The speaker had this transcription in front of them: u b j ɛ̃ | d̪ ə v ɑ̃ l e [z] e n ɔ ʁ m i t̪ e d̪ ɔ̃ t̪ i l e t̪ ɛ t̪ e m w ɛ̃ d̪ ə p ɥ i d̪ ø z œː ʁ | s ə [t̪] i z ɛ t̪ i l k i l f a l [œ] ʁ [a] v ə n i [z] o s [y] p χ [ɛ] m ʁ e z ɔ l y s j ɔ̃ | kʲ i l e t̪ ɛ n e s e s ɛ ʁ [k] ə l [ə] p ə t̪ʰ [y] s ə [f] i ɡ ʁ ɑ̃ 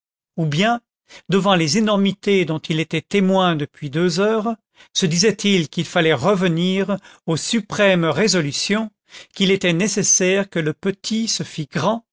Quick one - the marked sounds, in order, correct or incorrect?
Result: correct, incorrect: d̪, incorrect: ɛ, incorrect: ə, incorrect: ʁ, correct, correct, correct, correct, incorrect: i, correct

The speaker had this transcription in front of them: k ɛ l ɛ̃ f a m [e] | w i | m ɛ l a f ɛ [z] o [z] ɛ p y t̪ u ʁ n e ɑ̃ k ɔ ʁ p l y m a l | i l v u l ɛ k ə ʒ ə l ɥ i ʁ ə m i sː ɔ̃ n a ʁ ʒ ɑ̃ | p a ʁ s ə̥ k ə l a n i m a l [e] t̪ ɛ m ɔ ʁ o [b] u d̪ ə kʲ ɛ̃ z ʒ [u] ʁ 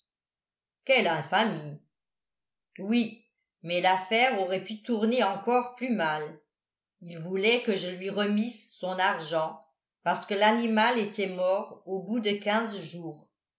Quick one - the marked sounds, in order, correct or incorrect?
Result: incorrect: i, incorrect: ʁ, incorrect: ʁ, correct, correct, incorrect: uː

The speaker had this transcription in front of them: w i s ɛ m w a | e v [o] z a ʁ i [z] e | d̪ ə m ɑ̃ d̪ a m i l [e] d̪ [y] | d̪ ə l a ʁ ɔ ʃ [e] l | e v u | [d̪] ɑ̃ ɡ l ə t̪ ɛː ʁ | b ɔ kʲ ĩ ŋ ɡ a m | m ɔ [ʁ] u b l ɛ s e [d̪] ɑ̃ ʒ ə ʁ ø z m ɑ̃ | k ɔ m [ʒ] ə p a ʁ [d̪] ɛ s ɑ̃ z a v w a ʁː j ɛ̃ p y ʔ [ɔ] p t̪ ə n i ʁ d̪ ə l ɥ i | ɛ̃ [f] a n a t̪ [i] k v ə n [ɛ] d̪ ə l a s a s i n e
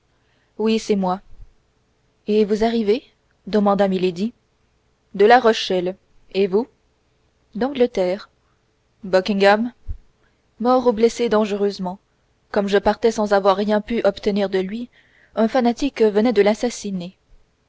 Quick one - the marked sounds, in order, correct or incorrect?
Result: incorrect: u, incorrect: v, correct, incorrect: i, incorrect: ɛ, correct, correct, correct, correct, incorrect: t̪, correct, correct, correct, correct

